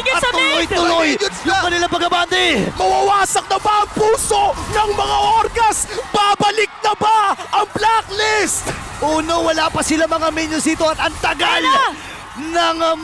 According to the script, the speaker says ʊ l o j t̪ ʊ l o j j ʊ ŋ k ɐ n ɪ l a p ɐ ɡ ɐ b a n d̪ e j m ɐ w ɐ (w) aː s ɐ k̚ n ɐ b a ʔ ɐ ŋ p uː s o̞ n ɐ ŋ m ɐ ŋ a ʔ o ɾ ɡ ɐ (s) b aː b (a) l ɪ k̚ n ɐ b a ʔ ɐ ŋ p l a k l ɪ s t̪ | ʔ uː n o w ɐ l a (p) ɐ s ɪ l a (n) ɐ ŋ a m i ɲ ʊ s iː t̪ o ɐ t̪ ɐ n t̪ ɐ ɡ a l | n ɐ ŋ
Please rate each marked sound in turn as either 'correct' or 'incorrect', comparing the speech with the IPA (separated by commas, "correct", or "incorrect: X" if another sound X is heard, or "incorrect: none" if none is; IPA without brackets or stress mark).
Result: correct, correct, incorrect: ɐ, correct, incorrect: m